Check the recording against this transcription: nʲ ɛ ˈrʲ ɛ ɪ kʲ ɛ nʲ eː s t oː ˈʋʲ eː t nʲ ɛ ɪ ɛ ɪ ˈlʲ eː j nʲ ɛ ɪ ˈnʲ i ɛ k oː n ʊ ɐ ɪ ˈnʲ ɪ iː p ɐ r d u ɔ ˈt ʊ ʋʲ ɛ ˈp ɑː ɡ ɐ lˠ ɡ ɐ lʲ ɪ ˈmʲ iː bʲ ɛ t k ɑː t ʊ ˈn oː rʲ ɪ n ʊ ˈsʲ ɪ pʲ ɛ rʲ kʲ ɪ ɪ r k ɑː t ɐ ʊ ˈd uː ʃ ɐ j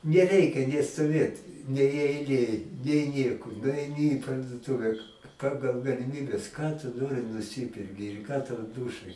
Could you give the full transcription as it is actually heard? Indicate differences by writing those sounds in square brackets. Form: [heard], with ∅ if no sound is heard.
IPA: nʲ ɛ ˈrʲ ɛ ɪ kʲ ɛ nʲ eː s t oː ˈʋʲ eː t nʲ ɛ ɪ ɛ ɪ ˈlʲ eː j nʲ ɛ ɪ ˈnʲ i ɛ k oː n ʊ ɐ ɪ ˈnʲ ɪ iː p ɐ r d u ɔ ˈt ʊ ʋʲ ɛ ˈp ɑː ɡ ɐ lˠ ɡ ɐ lʲ ɪ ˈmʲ iː bʲ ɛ [s] k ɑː t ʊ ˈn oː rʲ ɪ n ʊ ˈsʲ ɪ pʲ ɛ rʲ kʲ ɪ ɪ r k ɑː t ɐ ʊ ˈd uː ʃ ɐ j

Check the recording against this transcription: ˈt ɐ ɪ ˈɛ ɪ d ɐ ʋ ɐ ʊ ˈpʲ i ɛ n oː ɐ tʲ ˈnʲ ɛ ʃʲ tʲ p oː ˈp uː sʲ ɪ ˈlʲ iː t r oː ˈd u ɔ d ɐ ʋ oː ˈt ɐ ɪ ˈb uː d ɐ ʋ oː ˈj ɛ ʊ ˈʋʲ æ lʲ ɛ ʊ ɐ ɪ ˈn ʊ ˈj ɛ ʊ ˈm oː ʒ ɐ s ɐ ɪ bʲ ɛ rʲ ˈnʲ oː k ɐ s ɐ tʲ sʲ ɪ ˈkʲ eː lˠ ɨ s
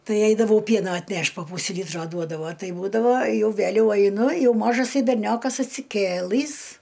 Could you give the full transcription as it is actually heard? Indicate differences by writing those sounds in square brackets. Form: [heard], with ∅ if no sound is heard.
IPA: ˈt ɐ ɪ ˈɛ ɪ d ɐ ʋ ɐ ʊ ˈpʲ i ɛ n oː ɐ tʲ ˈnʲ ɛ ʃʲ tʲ p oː ˈp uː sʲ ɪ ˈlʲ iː t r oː ˈd u ɔ d ɐ ʋ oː ˈt ɐ ɪ ˈb uː d ɐ ʋ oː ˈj ɛ ʊ ˈʋʲ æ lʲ ɛ ʊ ɐ ɪ ˈn ʊ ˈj ɛ ʊ ˈm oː ʒ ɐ s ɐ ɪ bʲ ɛ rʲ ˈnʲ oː k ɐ s ɐ tʲ sʲ ɪ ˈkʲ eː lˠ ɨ s

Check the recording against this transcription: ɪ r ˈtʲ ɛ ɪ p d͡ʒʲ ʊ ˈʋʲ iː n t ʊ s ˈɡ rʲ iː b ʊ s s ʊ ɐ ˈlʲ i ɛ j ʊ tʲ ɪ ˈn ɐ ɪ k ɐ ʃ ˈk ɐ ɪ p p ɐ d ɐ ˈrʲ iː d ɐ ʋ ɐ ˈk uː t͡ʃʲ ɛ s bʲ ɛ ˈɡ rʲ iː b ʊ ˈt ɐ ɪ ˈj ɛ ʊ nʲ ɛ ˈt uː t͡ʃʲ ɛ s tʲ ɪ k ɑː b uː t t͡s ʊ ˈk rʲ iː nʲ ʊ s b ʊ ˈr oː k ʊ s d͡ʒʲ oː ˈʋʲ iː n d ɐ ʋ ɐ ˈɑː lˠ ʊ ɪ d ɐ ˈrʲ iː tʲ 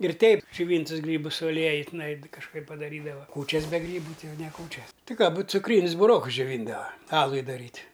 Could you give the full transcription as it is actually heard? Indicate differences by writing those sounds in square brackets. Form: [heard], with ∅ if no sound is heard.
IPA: ɪ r ˈtʲ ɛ ɪ p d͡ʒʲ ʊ ˈʋʲ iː n t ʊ s ˈɡ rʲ iː b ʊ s s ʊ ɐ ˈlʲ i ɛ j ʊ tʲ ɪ ˈn ɐ ɪ k ɐ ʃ ˈk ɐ ɪ p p ɐ d ɐ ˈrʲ iː d ɐ ʋ ɐ ˈk uː t͡ʃʲ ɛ s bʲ ɛ ˈɡ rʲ iː b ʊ ˈt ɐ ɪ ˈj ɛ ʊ nʲ ɛ [ˈk] uː t͡ʃʲ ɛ s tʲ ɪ k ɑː b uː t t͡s ʊ ˈk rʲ iː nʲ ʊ s b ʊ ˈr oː k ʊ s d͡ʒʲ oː ˈʋʲ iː n d ɐ ʋ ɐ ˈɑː lˠ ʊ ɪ d ɐ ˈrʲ iː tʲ

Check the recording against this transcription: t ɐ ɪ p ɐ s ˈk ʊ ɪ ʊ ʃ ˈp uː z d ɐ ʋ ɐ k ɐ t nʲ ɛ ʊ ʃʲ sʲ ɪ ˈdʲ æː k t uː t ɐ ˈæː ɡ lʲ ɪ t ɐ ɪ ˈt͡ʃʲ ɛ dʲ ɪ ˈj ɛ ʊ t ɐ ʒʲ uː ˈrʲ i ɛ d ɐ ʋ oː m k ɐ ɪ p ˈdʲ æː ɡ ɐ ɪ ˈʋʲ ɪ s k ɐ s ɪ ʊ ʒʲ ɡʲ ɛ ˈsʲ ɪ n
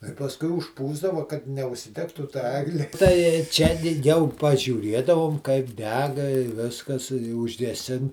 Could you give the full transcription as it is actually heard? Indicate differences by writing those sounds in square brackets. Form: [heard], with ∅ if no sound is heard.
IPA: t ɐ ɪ p ɐ s ˈk ʊ ɪ ʊ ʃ ˈp uː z d ɐ ʋ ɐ k ɐ t nʲ ɛ ʊ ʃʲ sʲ ɪ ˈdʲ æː k t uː t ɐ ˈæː ɡ lʲ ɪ t ɐ ɪ ˈt͡ʃʲ ɛ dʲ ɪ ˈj ɛ ʊ [p] ɐ ʒʲ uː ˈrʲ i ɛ d ɐ ʋ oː m k ɐ ɪ p ˈdʲ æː ɡ ɐ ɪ ˈʋʲ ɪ s k ɐ s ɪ ʊ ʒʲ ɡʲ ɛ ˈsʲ ɪ n

